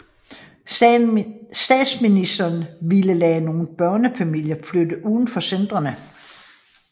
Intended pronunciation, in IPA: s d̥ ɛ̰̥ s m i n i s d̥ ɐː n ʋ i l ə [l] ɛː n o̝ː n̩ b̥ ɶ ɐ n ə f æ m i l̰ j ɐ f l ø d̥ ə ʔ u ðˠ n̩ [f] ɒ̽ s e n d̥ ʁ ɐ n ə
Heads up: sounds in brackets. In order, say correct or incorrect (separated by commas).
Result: correct, correct